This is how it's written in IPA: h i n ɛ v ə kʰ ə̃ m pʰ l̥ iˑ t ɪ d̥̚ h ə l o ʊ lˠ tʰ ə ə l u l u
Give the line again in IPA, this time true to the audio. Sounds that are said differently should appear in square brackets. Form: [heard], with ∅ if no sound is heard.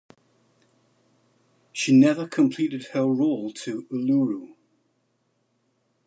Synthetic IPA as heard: [ʃ] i n ɛ v ə kʰ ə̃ m pʰ l̥ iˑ t ɪ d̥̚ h ə [ɹ] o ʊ lˠ tʰ ə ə l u [ɹ] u